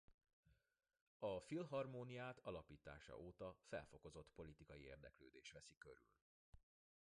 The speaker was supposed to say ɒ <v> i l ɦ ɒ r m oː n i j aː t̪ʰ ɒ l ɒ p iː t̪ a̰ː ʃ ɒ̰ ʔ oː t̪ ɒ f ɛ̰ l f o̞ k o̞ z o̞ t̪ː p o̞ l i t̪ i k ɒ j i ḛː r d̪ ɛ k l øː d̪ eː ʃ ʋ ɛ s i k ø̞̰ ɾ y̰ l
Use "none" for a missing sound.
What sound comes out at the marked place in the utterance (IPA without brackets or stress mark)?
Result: f